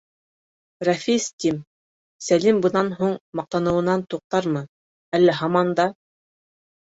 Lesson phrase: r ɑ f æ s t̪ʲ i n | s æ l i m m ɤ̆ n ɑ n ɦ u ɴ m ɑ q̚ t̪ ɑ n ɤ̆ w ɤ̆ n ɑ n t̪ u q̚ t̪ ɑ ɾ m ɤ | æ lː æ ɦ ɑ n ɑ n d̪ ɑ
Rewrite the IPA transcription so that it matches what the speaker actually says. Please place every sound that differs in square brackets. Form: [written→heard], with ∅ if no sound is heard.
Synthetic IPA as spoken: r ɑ f [æ→i] s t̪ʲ i [n→m] | s æ l i m [m→b] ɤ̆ n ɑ n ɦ u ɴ m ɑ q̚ t̪ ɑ n ɤ̆ w ɤ̆ n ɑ n t̪ u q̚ t̪ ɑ ɾ m ɤ | æ lː æ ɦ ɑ [n→m] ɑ n d̪ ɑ

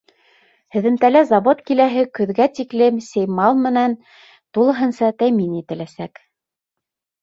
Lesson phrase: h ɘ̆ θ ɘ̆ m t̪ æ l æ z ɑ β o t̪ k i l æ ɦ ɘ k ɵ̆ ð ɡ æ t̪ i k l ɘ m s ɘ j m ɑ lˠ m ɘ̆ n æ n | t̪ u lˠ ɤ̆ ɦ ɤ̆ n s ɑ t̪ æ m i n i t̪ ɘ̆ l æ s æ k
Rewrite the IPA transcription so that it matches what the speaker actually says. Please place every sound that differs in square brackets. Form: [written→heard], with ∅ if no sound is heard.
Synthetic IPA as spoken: h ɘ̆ [θ→ð] ɘ̆ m t̪ æ l æ z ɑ β o t̪ k i l æ ɦ ɘ k ɵ̆ ð ɡ æ t̪ i k l ɘ m s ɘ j m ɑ lˠ m ɘ̆ n æ n | t̪ u lˠ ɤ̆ ɦ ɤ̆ n s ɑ t̪ æ m i n i t̪ ɘ̆ l æ s æ k

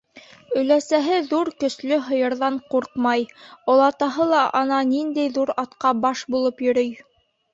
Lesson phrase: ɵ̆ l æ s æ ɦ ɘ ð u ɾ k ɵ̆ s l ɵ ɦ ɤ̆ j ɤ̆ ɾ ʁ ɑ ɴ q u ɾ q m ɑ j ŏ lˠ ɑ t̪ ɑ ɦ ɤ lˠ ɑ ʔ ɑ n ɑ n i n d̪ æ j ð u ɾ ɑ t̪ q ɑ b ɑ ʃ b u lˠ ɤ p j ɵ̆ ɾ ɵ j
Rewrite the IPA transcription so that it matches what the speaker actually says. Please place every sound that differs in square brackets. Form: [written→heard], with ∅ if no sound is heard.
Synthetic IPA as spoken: ɵ̆ l æ s æ ɦ ɘ ð u ɾ k ɵ̆ s l ɵ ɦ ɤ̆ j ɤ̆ ɾ [ʁ→ð] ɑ ɴ q u ɾ q m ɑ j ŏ lˠ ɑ t̪ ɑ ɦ ɤ lˠ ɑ ʔ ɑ n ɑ n i n d̪ æ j ð u ɾ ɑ t̪ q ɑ b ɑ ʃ b u lˠ ɤ p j ɵ̆ ɾ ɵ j

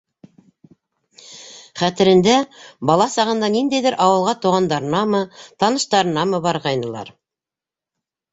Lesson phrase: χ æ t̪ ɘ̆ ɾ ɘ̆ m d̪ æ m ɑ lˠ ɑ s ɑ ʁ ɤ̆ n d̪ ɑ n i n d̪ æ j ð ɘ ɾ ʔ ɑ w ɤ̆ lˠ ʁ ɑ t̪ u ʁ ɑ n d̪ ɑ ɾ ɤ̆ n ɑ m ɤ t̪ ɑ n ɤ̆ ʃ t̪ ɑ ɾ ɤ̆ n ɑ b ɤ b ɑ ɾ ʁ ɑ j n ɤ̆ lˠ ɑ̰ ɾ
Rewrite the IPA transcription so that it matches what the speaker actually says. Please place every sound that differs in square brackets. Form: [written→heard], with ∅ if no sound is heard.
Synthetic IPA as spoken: χ æ t̪ ɘ̆ ɾ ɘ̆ [m→n] d̪ æ [m→b] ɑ lˠ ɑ s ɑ ʁ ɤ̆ n d̪ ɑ n i n d̪ æ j ð ɘ ɾ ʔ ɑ w ɤ̆ lˠ ʁ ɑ t̪ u ʁ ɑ n d̪ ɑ ɾ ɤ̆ n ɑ m ɤ t̪ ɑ n ɤ̆ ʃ t̪ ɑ ɾ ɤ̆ n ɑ [b→m] ɤ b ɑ ɾ ʁ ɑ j n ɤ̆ lˠ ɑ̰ ɾ

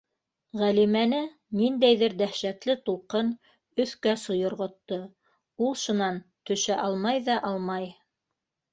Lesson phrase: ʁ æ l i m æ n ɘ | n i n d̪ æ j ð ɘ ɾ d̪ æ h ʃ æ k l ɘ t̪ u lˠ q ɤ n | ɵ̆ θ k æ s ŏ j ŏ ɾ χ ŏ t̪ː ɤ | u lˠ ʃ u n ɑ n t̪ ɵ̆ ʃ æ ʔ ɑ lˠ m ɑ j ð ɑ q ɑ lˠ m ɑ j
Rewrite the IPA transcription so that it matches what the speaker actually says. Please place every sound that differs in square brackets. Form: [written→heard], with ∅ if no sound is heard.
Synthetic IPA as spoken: ʁ æ l i m æ n ɘ | n i n d̪ æ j ð ɘ ɾ d̪ æ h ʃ æ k l ɘ t̪ u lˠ q ɤ n | ɵ̆ θ k æ s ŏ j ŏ ɾ [χ→ʁ] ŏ t̪ː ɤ | u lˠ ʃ u n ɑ n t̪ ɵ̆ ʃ æ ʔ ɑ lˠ m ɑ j ð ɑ [q→ʔ] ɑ lˠ m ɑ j

